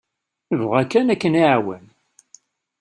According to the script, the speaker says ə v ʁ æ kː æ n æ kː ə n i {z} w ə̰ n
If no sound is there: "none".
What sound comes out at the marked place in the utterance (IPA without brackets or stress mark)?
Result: ʕ